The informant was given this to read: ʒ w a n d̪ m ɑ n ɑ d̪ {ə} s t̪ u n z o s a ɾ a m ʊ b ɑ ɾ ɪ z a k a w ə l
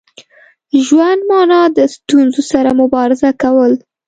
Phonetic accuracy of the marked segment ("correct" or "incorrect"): correct